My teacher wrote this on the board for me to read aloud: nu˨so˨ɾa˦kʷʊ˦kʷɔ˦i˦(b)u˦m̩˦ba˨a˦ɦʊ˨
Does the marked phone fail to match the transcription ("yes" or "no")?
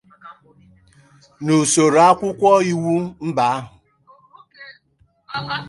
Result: yes